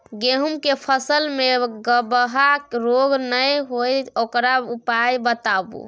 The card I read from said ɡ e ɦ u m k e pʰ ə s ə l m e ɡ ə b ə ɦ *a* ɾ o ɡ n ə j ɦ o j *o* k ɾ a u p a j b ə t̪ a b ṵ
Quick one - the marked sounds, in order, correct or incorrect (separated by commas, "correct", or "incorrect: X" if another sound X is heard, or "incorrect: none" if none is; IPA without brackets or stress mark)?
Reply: correct, correct